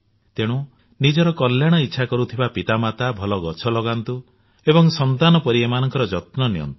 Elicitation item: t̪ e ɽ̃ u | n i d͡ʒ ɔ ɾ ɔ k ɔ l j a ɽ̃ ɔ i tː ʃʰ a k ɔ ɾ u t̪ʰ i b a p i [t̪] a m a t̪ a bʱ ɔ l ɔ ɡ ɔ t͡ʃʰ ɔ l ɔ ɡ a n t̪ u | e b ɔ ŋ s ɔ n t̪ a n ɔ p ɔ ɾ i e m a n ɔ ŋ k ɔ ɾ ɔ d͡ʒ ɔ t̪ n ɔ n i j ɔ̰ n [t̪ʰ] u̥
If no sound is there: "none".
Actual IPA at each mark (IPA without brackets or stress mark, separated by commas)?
t̪, t̪